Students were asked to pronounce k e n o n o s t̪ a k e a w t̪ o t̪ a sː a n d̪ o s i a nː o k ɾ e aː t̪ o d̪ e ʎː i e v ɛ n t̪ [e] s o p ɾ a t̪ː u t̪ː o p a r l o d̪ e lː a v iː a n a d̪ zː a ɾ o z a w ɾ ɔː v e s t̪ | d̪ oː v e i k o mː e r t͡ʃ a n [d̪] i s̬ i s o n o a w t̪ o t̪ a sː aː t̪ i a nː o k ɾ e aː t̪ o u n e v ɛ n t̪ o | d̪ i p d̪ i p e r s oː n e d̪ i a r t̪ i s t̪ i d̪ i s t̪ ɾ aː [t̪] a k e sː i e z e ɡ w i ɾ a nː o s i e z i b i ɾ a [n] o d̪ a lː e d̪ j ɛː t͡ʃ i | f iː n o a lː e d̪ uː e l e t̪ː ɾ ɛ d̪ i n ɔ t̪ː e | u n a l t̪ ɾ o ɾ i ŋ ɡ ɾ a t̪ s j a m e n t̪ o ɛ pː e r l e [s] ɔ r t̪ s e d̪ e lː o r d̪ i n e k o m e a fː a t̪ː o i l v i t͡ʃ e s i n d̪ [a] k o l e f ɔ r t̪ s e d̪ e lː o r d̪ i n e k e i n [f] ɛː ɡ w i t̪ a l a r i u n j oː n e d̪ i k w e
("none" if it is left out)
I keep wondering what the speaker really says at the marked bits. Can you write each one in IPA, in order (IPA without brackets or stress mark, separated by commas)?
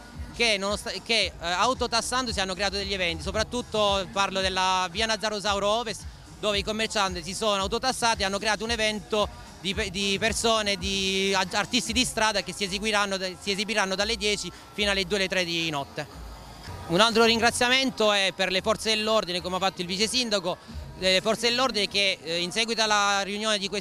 i, t̪, d̪, nː, f, a, s